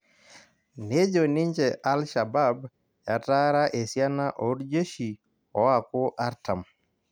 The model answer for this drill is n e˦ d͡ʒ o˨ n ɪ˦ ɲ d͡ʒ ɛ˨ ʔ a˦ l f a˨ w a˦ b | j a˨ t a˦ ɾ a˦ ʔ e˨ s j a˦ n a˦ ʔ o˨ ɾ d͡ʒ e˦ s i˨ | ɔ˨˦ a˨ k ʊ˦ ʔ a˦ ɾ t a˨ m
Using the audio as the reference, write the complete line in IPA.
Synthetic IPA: n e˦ d͡ʒ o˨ n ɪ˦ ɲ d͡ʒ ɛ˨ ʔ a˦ l ʃ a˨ b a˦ b | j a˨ t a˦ ɾ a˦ ʔ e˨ s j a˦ n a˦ ʔ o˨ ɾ d͡ʒ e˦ ʃ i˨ | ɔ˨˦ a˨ k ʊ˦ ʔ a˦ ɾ t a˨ m